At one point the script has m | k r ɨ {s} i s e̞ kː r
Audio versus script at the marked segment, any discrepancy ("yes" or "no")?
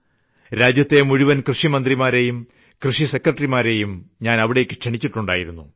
yes